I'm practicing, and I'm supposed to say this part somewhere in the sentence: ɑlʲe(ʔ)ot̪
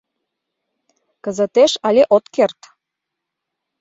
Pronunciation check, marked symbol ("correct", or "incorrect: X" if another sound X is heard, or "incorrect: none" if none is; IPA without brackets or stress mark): correct